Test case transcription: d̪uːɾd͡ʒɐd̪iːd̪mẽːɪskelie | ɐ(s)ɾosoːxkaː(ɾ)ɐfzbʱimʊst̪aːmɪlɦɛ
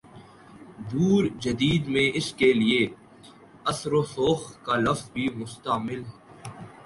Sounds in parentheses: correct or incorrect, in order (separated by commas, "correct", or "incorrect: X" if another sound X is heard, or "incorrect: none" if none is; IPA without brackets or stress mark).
correct, incorrect: l